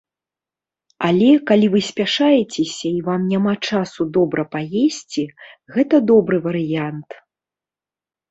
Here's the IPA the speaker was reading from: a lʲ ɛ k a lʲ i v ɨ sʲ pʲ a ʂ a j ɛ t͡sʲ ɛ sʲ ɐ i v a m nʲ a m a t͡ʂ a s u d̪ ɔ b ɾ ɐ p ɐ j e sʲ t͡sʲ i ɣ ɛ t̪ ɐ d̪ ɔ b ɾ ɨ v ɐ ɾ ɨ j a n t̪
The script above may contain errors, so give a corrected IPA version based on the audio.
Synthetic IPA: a lʲ ɛ k a lʲ i v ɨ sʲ pʲ a ʂ a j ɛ t͡sʲ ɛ sʲ ɐ i v a m nʲ a m a t͡ʂ a s u d̪ ɔ b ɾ ɐ p a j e sʲ t͡sʲ i ɣ ɛ t̪ ɐ d̪ ɔ b ɾ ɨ v ɐ ɾ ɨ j a n t̪